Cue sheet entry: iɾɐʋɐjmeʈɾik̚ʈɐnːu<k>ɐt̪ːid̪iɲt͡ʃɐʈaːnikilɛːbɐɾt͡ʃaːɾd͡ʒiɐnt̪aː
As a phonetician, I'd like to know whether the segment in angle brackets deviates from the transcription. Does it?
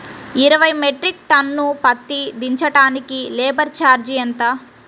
yes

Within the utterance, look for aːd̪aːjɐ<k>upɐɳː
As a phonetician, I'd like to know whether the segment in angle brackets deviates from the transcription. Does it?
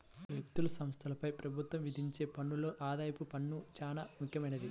yes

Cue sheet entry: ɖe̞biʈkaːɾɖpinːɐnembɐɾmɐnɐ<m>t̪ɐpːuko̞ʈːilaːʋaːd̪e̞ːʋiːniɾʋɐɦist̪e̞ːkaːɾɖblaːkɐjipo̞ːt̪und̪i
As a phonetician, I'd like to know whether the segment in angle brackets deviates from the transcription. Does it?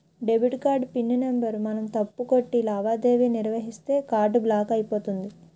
no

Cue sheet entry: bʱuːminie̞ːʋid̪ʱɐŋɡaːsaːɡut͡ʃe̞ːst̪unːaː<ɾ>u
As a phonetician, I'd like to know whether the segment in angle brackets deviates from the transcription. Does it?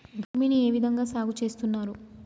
no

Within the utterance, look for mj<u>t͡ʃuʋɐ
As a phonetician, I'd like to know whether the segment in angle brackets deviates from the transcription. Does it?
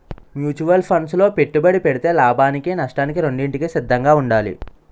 yes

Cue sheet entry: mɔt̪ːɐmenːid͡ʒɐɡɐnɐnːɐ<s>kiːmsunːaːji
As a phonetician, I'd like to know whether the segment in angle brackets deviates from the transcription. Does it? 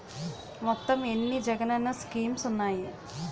no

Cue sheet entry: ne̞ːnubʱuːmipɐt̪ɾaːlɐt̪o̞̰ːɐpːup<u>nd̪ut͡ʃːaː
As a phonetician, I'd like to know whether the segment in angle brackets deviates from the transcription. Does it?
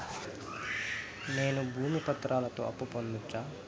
yes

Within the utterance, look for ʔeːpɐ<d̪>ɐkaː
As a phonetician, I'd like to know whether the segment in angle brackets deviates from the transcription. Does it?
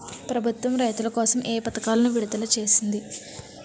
yes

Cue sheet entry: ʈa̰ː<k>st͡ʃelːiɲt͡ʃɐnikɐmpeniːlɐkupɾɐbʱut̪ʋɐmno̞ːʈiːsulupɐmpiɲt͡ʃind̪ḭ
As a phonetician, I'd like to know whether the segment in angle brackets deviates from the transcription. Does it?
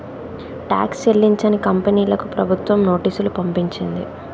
no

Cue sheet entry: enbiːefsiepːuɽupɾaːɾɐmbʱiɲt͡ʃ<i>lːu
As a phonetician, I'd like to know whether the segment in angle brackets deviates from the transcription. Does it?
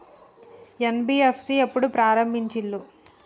no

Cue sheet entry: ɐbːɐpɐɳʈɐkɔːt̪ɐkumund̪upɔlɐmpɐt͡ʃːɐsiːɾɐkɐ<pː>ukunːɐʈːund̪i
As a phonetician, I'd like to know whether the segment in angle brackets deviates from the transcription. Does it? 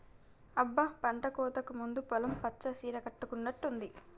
yes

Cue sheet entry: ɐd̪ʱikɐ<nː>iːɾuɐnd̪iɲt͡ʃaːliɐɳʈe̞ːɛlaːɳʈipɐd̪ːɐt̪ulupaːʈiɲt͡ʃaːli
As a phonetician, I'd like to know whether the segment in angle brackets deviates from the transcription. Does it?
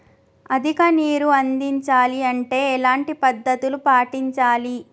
yes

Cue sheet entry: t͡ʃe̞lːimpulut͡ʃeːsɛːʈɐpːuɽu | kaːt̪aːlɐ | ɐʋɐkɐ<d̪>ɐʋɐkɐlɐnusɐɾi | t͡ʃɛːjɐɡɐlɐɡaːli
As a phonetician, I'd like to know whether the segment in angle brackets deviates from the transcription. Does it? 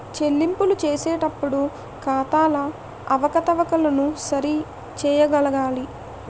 yes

